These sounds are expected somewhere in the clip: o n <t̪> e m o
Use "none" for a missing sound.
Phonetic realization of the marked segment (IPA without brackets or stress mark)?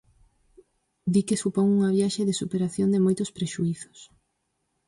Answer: d̪